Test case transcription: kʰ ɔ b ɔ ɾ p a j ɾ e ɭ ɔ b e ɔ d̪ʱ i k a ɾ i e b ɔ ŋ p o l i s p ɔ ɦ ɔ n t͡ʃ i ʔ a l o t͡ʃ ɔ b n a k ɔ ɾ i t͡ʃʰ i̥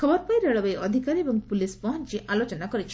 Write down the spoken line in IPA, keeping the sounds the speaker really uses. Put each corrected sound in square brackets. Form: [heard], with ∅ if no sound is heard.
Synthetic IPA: kʰ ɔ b ɔ ɾ p a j ɾ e ɭ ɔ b e ɔ d̪ʱ i k a ɾ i e b ɔ ŋ p [u] l i s p ɔ ɦ ɔ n t͡ʃ i ʔ a l o t͡ʃ ɔ [∅] n a k ɔ ɾ i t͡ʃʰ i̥